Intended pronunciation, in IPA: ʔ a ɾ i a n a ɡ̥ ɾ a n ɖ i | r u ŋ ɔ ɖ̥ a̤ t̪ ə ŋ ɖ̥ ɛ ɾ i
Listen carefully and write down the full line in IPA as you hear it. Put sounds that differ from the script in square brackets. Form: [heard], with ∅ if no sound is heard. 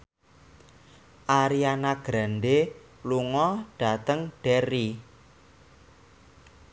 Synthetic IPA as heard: ʔ a ɾ i a n a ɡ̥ ɾ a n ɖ [e] | [l] u ŋ ɔ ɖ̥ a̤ t̪ ə ŋ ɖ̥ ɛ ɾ i